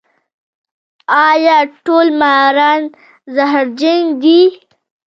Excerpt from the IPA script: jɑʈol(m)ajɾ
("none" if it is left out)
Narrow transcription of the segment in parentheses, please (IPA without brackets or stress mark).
m